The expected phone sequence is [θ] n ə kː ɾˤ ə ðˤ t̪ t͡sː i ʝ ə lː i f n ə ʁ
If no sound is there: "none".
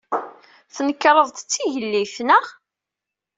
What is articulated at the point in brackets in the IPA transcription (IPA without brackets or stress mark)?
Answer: θ